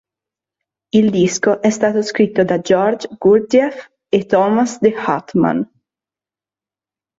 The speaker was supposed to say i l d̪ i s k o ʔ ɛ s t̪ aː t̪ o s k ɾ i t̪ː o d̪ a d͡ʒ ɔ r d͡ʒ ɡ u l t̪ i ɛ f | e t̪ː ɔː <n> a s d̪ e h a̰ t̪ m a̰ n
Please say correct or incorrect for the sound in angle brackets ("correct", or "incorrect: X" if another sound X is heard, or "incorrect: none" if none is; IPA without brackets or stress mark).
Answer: incorrect: m